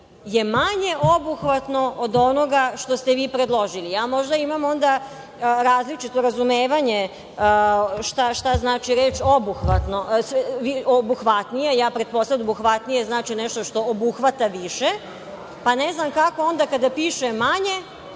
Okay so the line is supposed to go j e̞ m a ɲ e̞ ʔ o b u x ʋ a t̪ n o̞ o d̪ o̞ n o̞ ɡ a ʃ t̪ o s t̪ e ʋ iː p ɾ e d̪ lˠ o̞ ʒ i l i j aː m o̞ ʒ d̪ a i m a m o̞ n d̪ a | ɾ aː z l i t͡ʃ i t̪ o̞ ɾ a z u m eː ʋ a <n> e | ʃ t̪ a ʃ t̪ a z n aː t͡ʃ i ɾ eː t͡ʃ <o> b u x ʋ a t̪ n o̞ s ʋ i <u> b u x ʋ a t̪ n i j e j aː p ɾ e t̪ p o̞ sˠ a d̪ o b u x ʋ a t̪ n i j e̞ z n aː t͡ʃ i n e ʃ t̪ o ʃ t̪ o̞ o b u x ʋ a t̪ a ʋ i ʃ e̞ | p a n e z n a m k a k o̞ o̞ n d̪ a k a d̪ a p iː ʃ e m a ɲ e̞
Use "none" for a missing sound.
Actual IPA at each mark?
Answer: ɲ, o, o

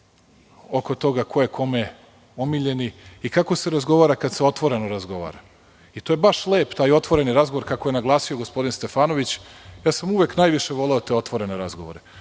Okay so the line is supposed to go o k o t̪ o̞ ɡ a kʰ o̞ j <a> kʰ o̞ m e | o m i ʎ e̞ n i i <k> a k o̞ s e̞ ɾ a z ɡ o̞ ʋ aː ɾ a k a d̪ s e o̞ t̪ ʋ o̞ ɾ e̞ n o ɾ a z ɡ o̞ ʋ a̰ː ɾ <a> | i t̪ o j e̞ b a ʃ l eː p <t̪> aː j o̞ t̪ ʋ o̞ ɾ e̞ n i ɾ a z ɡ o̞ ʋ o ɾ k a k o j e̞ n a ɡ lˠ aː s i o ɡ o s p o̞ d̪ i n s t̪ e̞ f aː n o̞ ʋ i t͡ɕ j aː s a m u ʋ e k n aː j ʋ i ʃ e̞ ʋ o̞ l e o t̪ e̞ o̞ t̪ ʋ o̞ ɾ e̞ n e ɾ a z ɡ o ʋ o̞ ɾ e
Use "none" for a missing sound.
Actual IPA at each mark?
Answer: e, k, a, t̪

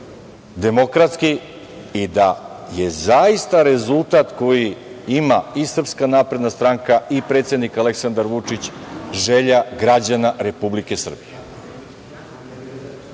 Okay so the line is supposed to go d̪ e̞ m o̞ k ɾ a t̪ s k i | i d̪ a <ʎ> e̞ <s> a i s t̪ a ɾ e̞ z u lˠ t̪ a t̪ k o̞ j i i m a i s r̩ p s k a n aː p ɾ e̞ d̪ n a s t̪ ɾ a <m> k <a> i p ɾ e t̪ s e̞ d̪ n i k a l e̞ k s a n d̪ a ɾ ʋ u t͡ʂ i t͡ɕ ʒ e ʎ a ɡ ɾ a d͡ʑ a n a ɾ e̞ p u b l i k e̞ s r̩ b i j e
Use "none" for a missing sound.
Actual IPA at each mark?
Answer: j, z, ŋ, a

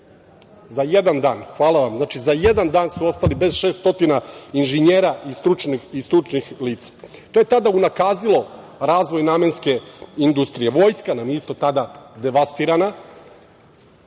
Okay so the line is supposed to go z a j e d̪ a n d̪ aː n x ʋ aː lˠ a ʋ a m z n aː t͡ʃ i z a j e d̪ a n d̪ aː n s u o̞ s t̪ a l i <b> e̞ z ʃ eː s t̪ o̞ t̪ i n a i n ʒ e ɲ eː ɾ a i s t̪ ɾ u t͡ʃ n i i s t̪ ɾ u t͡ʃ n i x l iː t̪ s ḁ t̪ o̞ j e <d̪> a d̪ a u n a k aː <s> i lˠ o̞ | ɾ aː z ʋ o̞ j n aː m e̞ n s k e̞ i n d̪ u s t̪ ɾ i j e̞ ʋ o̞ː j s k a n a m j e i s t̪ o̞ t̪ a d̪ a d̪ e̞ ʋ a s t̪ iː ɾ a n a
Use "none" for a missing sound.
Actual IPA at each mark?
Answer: b, t̪, z

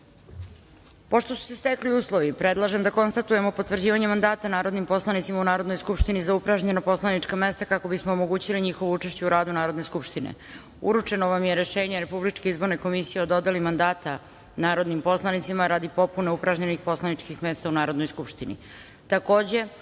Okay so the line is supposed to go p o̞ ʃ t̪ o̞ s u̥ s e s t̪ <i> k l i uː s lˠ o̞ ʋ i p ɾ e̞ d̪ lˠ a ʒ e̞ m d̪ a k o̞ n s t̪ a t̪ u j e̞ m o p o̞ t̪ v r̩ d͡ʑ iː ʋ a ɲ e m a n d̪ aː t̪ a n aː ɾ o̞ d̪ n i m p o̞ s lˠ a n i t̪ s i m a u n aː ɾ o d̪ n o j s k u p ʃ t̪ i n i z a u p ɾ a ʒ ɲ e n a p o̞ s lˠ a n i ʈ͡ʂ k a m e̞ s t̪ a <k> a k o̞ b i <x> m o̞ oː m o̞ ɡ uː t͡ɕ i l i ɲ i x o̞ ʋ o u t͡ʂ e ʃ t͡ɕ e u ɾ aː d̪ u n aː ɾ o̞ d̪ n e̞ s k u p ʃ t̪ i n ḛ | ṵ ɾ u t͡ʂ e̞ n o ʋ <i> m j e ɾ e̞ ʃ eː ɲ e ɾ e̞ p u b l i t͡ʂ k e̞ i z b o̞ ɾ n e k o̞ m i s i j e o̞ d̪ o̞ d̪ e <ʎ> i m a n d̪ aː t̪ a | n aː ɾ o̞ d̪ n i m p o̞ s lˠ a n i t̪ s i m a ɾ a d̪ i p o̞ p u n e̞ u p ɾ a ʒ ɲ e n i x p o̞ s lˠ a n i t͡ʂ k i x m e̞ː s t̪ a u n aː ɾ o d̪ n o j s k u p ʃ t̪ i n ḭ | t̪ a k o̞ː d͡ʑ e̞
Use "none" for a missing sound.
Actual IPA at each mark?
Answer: e, k, s, a, l

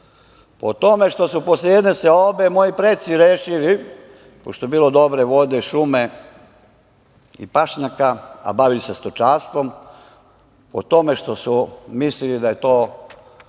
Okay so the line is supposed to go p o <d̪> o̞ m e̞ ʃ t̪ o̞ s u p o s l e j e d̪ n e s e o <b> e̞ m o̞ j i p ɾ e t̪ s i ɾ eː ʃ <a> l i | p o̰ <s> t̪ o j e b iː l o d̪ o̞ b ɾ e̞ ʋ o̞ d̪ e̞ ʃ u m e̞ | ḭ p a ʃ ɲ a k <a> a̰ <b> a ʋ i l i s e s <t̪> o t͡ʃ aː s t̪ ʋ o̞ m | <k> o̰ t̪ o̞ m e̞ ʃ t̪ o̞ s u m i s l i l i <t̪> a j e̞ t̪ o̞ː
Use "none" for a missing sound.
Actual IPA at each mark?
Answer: t̪, b, i, ʃ, a, b, t̪, p, d̪

